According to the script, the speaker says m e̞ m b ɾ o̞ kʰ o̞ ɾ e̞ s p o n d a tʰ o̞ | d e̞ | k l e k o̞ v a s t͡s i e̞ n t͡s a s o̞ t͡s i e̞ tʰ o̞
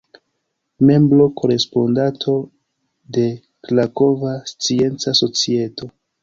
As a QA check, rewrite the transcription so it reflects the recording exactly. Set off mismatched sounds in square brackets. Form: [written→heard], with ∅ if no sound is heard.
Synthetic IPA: m e̞ m b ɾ o̞ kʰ o̞ ɾ e̞ s p o n d a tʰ o̞ | d e̞ | k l [e→a] k o̞ v a s t͡s i e̞ n t͡s a s o̞ t͡s i e̞ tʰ o̞